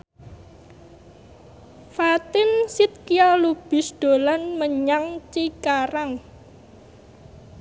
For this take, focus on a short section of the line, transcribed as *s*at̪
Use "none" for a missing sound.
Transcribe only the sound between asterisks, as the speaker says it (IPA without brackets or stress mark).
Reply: f